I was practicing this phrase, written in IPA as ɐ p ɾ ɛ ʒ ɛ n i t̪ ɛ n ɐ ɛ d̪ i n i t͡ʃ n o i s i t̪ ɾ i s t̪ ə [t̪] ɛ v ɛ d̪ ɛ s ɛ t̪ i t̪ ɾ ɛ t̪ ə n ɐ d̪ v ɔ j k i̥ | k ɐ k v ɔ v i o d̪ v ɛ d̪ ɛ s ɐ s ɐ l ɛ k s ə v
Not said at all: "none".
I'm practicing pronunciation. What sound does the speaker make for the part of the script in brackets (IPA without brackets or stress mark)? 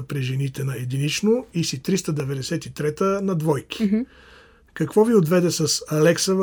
d̪